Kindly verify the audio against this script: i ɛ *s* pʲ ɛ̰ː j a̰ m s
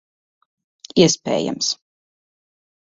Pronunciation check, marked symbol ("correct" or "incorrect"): correct